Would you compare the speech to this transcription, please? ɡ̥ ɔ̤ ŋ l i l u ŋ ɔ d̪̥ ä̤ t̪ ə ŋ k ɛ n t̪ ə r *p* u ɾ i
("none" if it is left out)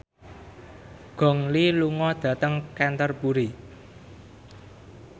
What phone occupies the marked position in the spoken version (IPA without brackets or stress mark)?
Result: p